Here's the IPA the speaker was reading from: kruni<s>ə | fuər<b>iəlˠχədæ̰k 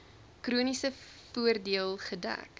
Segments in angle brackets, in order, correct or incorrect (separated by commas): correct, incorrect